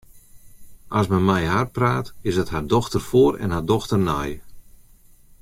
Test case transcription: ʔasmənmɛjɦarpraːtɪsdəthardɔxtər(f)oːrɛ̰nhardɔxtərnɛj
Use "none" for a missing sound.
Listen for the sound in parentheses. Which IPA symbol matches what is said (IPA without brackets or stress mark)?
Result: f